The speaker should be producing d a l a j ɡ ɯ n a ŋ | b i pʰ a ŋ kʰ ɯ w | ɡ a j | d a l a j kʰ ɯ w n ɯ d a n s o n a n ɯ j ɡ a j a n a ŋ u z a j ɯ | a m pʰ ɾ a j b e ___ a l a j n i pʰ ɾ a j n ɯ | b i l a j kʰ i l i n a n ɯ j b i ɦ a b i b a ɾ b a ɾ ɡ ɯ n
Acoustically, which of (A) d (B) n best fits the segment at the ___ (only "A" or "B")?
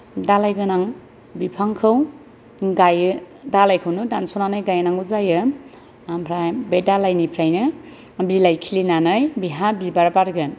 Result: A